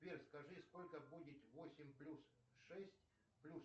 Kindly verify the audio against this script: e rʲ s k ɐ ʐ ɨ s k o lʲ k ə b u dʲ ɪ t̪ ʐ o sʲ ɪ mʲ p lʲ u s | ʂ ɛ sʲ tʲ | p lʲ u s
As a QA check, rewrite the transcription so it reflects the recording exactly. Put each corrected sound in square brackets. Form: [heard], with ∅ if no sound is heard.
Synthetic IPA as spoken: e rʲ s k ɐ ʐ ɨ s k o lʲ k ə b u dʲ ɪ t̪ [v] o sʲ ɪ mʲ p lʲ u s | ʂ ɛ sʲ tʲ | p lʲ u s